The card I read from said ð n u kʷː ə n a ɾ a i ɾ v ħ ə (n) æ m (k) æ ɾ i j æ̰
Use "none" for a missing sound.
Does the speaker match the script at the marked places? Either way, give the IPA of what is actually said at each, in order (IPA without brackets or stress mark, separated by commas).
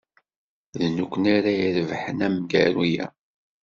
n, ɡ